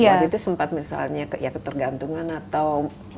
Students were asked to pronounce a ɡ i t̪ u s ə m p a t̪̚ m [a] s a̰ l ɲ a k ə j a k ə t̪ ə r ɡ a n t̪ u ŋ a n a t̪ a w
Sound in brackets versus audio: incorrect: i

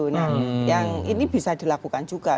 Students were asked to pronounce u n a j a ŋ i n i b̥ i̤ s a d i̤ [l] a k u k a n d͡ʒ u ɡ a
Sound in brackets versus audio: correct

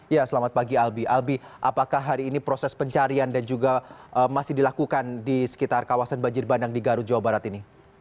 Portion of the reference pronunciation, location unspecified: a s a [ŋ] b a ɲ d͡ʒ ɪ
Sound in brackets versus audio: incorrect: n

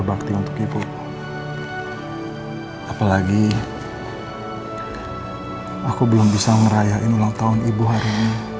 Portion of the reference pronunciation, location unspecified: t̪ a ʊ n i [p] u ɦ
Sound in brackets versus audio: incorrect: b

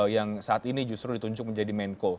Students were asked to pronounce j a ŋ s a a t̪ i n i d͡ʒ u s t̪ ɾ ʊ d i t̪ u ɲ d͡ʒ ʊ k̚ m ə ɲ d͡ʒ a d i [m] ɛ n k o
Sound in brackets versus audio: correct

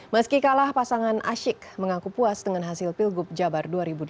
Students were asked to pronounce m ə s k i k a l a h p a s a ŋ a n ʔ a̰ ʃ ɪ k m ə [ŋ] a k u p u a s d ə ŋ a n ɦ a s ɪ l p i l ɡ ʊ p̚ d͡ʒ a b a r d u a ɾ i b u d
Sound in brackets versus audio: correct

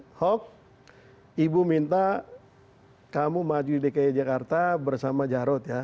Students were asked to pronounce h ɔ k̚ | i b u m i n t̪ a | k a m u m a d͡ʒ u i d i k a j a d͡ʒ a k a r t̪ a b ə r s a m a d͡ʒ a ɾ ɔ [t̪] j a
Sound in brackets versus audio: correct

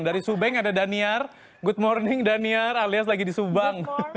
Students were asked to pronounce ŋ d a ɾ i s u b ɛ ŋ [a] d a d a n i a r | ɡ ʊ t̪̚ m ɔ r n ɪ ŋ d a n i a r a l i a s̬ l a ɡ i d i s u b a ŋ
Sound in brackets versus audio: correct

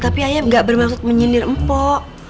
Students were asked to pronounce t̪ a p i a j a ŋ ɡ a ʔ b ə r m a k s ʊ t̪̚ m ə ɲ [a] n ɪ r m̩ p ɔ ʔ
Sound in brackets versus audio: incorrect: i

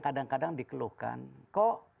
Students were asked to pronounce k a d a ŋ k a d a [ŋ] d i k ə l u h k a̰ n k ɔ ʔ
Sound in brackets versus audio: correct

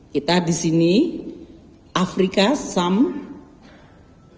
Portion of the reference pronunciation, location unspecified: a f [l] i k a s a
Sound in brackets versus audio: incorrect: ɾ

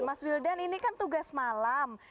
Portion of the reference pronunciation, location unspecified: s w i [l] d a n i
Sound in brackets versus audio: correct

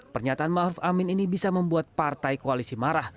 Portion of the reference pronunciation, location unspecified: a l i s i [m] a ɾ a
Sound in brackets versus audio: correct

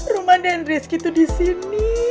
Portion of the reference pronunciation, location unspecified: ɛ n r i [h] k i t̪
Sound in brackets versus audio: incorrect: s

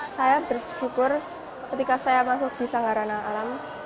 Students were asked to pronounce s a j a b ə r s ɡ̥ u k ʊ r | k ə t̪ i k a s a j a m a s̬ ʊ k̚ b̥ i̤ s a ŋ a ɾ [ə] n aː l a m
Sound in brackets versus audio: incorrect: a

